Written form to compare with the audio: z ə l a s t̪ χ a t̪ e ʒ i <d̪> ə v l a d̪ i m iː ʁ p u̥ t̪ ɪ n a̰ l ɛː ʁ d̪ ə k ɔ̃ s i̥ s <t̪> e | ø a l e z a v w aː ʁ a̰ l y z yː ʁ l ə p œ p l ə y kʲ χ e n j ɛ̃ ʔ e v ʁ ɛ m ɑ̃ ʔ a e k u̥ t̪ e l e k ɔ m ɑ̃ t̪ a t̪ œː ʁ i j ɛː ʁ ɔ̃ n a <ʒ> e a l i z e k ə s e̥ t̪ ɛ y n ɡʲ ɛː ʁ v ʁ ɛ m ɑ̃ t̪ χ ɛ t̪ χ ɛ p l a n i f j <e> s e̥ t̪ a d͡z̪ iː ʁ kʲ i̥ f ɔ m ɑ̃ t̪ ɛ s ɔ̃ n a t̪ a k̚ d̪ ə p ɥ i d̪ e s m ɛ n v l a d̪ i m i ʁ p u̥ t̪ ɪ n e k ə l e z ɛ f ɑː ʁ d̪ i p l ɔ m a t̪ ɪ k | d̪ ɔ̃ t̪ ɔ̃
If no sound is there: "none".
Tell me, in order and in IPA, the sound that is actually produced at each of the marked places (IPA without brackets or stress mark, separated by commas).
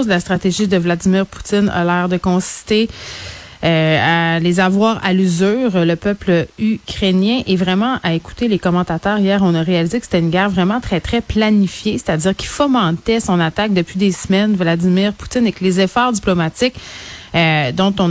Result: d̪, t̪, ʁ, e